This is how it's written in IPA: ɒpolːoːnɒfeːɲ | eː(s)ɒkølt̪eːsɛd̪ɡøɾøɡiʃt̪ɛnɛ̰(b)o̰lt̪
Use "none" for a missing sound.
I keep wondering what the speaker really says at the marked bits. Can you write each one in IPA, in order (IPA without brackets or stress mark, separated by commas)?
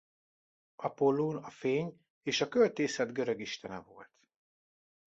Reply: ʃ, v